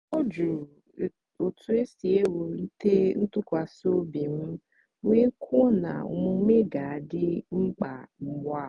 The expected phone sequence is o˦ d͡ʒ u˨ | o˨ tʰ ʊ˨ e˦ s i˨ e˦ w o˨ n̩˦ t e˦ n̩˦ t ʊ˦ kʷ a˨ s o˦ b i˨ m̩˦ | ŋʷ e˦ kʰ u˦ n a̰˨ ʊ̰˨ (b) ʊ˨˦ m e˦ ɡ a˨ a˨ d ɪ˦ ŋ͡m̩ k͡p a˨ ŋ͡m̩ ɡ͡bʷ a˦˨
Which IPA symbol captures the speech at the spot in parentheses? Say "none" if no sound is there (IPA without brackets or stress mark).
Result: m